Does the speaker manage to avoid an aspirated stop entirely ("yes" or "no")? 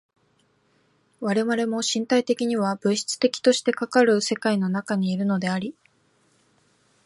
yes